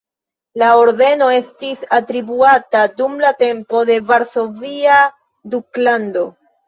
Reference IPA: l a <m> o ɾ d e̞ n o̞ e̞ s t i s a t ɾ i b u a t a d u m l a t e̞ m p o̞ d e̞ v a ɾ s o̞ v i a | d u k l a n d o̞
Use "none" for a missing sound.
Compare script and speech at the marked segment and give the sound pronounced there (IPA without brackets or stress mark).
none